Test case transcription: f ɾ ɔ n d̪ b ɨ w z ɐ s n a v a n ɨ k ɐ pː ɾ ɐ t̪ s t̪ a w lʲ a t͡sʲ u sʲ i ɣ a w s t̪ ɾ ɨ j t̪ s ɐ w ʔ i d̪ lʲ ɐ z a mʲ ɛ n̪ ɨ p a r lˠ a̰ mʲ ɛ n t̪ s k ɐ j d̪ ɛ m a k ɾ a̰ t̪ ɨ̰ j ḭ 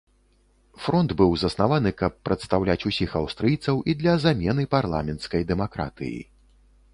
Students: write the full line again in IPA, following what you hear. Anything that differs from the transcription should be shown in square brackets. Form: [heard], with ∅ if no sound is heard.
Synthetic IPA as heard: f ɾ ɔ n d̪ b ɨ w z ɐ s n a v a n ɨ k ɐ pː ɾ ɐ t̪ s t̪ a w lʲ a t͡sʲ u sʲ i [x] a w s t̪ ɾ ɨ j t̪ s ɐ w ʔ i d̪ lʲ ɐ z a mʲ ɛ n̪ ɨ p a r lˠ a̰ mʲ ɛ n t̪ s k ɐ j d̪ ɛ m a k ɾ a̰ t̪ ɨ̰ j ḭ